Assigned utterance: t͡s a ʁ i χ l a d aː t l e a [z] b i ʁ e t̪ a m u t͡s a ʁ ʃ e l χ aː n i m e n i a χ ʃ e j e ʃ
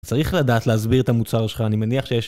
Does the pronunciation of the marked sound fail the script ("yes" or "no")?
no